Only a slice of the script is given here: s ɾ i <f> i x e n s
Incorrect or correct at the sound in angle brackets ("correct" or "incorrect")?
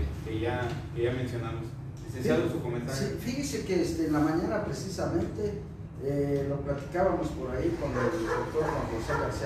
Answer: correct